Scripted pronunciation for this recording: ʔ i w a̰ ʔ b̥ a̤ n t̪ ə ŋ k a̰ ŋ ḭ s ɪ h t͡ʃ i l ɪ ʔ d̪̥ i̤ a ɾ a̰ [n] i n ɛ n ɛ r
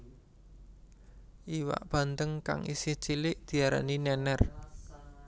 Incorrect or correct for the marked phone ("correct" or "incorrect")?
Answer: correct